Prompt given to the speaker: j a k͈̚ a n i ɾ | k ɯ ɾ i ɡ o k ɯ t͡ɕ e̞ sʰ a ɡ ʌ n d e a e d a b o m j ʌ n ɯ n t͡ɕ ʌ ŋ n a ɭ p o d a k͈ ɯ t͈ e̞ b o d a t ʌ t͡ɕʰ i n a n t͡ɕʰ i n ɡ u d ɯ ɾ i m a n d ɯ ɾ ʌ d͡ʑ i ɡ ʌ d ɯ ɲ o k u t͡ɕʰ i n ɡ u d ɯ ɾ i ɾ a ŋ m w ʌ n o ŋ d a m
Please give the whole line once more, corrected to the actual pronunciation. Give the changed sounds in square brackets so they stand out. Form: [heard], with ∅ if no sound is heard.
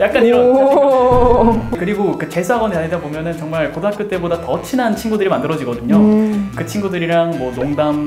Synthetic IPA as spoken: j a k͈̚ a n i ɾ | k ɯ ɾ i ɡ o k ɯ t͡ɕ e̞ sʰ a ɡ ʌ n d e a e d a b o m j ʌ n ɯ n t͡ɕ ʌ ŋ [m] a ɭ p o d a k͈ ɯ t͈ e̞ b o d a t ʌ t͡ɕʰ i n a n t͡ɕʰ i n ɡ u d ɯ ɾ i m a n d ɯ ɾ ʌ d͡ʑ i ɡ ʌ d ɯ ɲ o k [ɯ] t͡ɕʰ i n ɡ u d ɯ ɾ i ɾ a ŋ m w ʌ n o ŋ d a m

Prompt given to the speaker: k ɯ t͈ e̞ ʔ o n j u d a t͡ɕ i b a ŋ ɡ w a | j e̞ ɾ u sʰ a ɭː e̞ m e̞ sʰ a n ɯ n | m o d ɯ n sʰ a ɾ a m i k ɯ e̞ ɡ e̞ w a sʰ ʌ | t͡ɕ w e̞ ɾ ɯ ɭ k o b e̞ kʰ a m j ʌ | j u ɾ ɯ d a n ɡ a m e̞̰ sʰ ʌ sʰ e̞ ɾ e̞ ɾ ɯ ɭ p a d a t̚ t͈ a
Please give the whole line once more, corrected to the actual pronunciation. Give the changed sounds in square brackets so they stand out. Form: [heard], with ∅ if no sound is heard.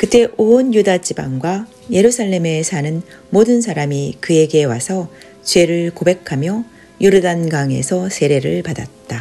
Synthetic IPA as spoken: k ɯ t͈ e̞ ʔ o n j u d a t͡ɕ i b a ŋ ɡ w a | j e̞ ɾ u sʰ a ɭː e̞ m e̞ sʰ a n ɯ n | m o d ɯ n sʰ a ɾ a m i k ɯ e̞ ɡ e̞ w a sʰ ʌ | t͡ɕ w e̞ ɾ ɯ ɭ k o b e̞ kʰ a m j ʌ | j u ɾ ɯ d a n ɡ a [ŋ] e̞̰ sʰ ʌ sʰ e̞ ɾ e̞ ɾ ɯ ɭ p a d a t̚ t͈ a

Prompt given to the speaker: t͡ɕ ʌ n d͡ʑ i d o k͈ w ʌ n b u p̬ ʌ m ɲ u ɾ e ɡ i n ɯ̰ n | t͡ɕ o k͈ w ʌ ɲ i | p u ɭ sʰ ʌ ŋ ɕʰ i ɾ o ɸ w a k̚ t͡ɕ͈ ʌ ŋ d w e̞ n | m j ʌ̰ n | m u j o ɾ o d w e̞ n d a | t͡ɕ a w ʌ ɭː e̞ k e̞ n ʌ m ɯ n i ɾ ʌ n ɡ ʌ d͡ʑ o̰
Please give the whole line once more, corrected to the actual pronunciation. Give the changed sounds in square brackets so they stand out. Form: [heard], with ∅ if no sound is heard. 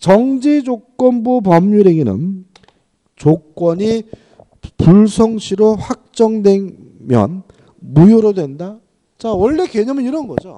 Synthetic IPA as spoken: t͡ɕ ʌ [ŋ] d͡ʑ i [d͡ʑ] o k͈ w ʌ n b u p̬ ʌ m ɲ u ɾ e ɡ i n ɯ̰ n | t͡ɕ o k͈ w ʌ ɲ i | p u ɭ sʰ ʌ ŋ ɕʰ i ɾ o ɸ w a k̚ t͡ɕ͈ ʌ ŋ d w e̞ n | m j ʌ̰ n | m u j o ɾ o d w e̞ n d a | t͡ɕ a w ʌ ɭː e̞ k e̞ [ɲ] ʌ m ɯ n i ɾ ʌ n ɡ ʌ d͡ʑ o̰

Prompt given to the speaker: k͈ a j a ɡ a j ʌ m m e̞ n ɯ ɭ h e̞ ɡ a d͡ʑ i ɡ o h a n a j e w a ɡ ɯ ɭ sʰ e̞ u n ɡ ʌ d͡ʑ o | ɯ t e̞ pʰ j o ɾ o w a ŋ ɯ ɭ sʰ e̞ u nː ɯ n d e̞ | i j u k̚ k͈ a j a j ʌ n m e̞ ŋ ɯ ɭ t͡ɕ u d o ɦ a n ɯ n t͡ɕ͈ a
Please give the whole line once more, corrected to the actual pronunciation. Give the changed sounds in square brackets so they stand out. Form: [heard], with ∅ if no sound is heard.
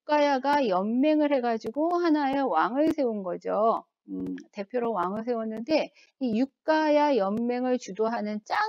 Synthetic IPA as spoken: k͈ a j a ɡ a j ʌ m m e̞ [ŋ] ɯ ɭ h e̞ ɡ a d͡ʑ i ɡ o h a n a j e w a [ŋ] ɯ ɭ sʰ e̞ u n ɡ ʌ d͡ʑ o | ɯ t e̞ pʰ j o ɾ o w a ŋ ɯ ɭ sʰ e̞ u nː ɯ n d e̞ | i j u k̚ k͈ a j a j ʌ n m e̞ ŋ ɯ ɭ t͡ɕ u d o ɦ a n ɯ n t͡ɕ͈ a

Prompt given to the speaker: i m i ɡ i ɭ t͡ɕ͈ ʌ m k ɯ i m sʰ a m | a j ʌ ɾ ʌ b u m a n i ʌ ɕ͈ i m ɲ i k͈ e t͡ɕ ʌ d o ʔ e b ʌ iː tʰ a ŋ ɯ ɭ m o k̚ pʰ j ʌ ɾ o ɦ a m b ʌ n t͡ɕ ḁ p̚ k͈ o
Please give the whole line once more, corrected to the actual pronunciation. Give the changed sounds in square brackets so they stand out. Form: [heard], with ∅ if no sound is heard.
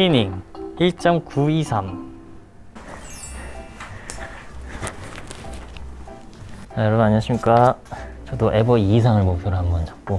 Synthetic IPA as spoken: i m i [ŋ] i ɭ t͡ɕ͈ ʌ m k [u] i [∅] sʰ a m | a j ʌ ɾ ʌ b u [n] a [ɲ] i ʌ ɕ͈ i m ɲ i k͈ [a] t͡ɕ ʌ d o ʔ e b ʌ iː [sʰ] a ŋ ɯ ɭ m o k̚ pʰ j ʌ ɾ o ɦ a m b ʌ n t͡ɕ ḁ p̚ k͈ o

